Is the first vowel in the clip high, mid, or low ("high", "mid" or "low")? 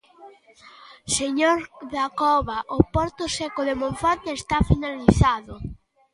mid